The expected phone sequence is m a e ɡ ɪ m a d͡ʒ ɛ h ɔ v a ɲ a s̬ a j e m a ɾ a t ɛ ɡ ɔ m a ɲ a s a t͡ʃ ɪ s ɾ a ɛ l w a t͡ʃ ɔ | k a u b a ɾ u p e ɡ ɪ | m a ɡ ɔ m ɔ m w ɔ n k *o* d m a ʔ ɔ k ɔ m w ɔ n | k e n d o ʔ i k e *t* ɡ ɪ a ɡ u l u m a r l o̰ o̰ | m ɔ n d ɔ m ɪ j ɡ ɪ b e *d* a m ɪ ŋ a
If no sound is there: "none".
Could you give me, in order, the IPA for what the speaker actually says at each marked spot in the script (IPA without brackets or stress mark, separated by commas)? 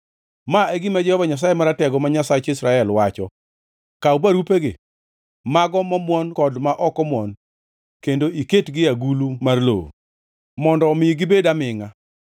ɔ, t, d